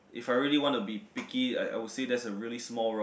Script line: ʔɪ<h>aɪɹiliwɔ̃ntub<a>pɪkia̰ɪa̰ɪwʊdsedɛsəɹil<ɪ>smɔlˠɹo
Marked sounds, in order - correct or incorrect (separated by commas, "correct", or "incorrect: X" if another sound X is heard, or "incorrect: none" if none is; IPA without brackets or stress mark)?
incorrect: f, incorrect: i, incorrect: i